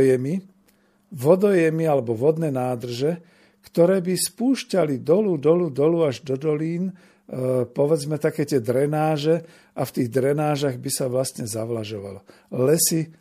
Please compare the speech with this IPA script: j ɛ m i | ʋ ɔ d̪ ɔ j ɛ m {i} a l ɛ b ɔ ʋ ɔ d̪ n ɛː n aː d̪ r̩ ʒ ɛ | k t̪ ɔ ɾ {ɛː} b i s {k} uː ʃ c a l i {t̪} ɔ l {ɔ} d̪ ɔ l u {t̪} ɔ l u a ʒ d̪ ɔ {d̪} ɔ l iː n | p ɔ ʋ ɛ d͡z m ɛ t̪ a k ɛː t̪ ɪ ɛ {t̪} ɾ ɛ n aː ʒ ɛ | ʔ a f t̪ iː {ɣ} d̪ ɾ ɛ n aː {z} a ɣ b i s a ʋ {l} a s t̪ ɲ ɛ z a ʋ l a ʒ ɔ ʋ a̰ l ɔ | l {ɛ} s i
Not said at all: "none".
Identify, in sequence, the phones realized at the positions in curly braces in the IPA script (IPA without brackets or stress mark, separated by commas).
i, ɛː, p, d̪, u, d̪, d̪, d̪, ɣ, ʒ, l, ɛ